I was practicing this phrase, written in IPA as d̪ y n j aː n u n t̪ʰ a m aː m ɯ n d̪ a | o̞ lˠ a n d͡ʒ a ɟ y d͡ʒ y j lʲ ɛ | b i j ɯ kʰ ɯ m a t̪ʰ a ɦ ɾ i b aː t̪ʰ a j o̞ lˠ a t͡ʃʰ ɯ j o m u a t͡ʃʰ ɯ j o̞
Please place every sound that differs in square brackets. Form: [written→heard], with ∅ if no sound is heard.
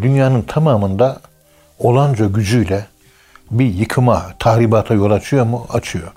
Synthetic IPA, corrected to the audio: d̪ y n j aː n [u→ɯ] n t̪ʰ a m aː m ɯ n d̪ a | o̞ lˠ a n d͡ʒ a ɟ y d͡ʒ y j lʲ ɛ | b i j ɯ kʰ ɯ m a t̪ʰ a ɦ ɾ i b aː t̪ʰ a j o̞ lˠ a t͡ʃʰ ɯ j o m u a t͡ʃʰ ɯ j o̞